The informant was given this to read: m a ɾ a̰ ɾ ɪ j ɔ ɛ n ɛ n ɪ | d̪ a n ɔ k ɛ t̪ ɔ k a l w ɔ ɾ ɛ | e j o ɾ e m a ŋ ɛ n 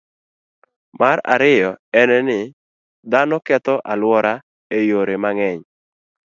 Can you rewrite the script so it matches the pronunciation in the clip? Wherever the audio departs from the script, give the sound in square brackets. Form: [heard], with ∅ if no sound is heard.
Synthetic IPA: m a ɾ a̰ ɾ ɪ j ɔ ɛ n ɛ n ɪ | d̪ a n ɔ k ɛ t̪ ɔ [ʔ] a l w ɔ ɾ [a] | e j o ɾ e m a ŋ ɛ [ɲ]